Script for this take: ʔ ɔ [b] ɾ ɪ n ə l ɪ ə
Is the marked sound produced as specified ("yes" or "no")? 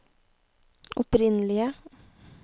no